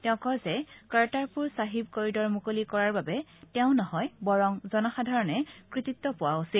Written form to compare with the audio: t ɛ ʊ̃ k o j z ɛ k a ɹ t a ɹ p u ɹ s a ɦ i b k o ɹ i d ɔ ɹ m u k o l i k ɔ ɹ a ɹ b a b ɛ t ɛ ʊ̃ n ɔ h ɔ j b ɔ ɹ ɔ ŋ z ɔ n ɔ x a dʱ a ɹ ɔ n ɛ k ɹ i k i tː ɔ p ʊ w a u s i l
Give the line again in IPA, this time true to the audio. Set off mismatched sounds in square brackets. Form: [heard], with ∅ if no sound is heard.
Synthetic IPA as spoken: t ɛ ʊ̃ k [ɔ] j z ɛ k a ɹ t a ɹ p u ɹ s a ɦ i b k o ɹ i d ɔ ɹ m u k o l i k ɔ ɹ a ɹ b a b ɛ t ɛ ʊ̃ n ɔ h ɔ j b ɔ ɹ ɔ ŋ z ɔ n ɔ x a dʱ a ɹ ɔ n ɛ k ɹ i [t] i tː ɔ p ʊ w a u s i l